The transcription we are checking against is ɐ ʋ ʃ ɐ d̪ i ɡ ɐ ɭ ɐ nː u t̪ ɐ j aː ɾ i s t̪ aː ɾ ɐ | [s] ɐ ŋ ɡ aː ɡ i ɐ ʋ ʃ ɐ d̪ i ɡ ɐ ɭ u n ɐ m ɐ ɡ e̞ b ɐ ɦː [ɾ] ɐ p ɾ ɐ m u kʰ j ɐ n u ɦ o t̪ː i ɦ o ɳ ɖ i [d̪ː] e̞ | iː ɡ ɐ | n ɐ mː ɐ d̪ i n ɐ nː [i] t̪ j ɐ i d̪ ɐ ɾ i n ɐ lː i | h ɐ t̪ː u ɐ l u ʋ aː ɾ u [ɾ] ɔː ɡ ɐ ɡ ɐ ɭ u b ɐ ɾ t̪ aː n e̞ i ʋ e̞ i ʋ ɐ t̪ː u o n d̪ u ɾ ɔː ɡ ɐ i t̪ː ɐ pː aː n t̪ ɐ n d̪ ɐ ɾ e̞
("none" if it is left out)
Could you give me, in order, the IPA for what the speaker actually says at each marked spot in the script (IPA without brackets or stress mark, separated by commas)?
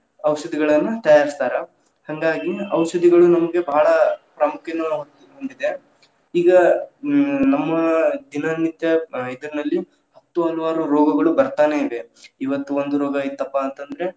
h, ɭ, d̪, i, ɾ